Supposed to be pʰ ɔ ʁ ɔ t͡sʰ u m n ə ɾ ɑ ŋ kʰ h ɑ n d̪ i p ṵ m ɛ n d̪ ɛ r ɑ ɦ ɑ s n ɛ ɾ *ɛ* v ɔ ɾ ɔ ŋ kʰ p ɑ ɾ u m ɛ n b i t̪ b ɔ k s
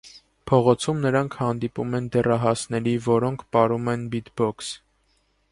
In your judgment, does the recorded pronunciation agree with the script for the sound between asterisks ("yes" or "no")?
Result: no